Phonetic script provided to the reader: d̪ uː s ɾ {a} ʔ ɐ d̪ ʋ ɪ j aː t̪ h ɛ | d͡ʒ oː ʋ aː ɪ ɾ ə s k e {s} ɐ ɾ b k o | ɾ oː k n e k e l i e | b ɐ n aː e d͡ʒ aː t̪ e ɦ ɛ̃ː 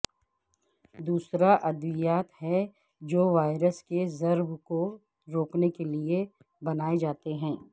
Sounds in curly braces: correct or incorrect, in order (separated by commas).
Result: correct, incorrect